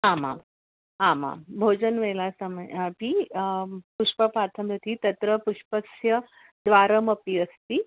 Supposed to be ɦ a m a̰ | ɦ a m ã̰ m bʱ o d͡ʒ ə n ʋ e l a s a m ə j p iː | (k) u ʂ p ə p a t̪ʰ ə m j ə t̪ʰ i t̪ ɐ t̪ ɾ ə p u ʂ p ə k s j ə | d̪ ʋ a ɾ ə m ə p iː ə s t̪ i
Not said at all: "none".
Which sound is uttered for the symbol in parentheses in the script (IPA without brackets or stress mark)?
p